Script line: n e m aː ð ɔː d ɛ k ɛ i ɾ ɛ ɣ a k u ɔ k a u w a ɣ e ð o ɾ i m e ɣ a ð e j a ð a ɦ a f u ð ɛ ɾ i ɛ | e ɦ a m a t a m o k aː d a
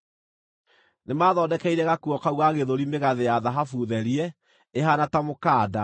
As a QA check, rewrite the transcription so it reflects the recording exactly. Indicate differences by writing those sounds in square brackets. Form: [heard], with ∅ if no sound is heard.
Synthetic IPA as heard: n e m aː ð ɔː d ɛ k ɛ i ɾ ɛ ɣ a k u ɔ k a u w a ɣ e ð o ɾ i m e ɣ a ð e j a ð a ɦ a f u ð ɛ ɾ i ɛ | e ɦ a [n] a t a m o k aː d a